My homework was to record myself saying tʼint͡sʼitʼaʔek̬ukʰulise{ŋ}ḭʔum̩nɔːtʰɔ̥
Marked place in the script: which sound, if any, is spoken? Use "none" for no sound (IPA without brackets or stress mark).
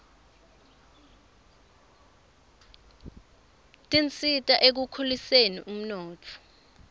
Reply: n